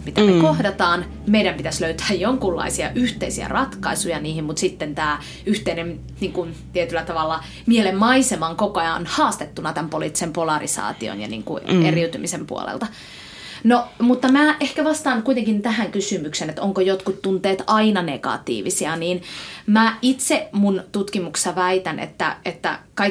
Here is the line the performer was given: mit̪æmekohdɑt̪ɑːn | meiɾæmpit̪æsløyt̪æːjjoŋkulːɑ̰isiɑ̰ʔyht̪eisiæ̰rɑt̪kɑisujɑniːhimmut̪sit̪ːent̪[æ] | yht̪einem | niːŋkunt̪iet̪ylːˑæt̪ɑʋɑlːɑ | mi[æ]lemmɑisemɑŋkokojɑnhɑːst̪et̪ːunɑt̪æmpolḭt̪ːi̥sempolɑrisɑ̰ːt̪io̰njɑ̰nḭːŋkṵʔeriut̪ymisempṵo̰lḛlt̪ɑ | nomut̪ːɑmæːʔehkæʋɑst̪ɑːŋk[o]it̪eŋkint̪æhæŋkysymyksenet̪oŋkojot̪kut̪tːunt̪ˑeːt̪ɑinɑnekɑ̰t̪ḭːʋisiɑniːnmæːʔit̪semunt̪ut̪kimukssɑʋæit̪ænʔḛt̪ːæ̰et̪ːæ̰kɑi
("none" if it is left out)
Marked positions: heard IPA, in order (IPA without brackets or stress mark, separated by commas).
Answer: æː, e, u